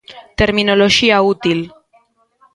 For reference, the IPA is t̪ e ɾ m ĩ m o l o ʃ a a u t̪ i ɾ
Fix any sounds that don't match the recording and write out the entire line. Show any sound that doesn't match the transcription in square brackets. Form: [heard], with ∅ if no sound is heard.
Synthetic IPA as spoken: t̪ e ɾ m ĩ [n] o l o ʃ [i] a u t̪ i [l]